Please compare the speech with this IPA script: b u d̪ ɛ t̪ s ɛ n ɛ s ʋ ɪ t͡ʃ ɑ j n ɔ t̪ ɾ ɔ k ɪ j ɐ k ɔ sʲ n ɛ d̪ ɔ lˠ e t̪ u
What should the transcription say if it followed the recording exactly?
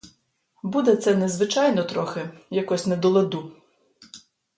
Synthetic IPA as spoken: b u d̪ ɛ t̪ s ɛ n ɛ z ʋ ɪ t͡ʃ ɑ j n ɔ t̪ ɾ ɔ x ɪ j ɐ k ɔ sʲ n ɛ d̪ ɔ lˠ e d̪ u